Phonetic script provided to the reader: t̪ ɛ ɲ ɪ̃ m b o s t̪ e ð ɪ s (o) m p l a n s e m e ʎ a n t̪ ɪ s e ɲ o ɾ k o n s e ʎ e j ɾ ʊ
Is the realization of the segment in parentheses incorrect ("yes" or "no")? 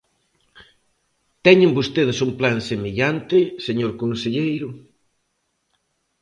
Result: yes